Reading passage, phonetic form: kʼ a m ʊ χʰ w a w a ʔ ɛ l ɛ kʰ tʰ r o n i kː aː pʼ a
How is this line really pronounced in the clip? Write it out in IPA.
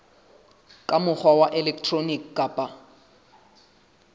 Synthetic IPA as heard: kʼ a m ʊ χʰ w a w a ʔ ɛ l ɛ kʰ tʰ r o n i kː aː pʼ a